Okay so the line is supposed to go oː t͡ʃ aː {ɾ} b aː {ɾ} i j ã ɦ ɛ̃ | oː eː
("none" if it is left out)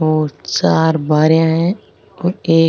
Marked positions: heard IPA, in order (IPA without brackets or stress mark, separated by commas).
ɾ, ɾ